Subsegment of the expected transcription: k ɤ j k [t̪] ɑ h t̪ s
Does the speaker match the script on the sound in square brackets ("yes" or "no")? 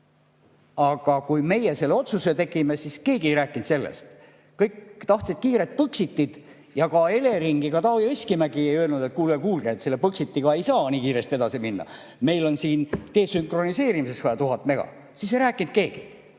yes